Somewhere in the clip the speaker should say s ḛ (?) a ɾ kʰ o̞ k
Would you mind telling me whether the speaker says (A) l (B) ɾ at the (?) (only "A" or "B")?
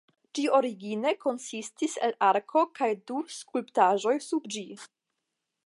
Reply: A